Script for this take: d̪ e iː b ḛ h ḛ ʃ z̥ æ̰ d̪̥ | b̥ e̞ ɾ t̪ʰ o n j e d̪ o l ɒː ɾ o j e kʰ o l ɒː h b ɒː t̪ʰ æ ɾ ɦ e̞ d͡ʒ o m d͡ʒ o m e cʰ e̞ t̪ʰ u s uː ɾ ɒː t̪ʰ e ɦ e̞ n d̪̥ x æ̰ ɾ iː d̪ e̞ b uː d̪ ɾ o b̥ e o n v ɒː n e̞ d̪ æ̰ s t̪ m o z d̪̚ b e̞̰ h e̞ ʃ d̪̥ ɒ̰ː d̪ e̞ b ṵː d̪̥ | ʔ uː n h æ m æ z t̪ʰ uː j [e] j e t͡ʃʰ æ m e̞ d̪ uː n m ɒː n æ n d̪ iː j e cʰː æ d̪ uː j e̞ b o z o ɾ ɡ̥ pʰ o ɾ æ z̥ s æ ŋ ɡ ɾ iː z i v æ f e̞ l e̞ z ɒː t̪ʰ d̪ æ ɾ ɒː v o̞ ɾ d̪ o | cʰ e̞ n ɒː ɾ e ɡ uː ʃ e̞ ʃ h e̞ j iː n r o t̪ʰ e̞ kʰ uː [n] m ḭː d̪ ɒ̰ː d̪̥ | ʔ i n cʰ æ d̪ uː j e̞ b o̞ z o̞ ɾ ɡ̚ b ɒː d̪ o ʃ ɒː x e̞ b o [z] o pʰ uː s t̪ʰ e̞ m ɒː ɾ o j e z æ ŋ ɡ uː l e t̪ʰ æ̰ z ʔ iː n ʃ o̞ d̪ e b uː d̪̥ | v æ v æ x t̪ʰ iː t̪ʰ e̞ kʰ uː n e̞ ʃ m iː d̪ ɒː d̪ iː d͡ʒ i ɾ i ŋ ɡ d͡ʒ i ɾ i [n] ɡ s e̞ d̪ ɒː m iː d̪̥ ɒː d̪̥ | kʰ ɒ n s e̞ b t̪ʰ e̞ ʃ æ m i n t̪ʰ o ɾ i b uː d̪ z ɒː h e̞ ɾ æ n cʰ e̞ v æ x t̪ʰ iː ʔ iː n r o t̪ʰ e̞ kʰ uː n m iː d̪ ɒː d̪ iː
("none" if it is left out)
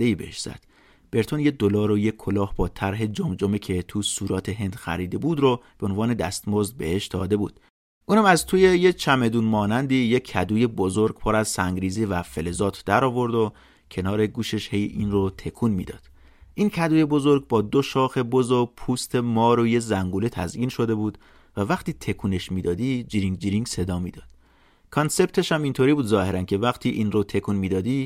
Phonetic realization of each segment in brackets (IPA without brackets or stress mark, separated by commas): e, n, z, ŋ